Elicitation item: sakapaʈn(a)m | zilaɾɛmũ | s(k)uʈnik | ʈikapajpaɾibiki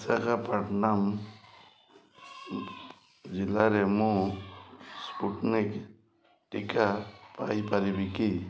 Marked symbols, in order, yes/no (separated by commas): yes, no